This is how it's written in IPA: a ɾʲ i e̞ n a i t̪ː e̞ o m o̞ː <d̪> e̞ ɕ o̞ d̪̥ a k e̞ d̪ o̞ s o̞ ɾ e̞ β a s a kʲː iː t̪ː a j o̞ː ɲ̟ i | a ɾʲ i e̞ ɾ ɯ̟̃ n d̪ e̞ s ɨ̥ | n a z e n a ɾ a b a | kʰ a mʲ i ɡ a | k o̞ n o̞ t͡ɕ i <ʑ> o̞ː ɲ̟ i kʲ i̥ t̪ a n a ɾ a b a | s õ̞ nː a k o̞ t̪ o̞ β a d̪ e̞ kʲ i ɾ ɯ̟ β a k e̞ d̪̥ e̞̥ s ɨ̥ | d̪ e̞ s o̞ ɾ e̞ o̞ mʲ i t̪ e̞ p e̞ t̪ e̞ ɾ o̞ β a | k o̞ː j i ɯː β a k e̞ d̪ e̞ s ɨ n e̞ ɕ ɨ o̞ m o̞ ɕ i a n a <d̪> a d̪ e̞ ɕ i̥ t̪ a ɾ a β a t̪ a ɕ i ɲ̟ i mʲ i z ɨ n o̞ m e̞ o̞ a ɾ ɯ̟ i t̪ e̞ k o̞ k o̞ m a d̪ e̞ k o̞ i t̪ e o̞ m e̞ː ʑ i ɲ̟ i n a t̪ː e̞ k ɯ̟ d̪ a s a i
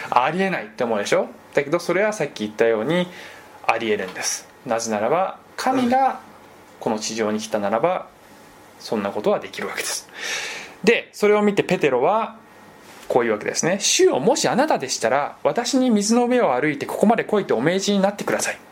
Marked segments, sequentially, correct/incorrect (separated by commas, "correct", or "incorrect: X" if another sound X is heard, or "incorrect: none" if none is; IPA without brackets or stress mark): correct, correct, incorrect: t̪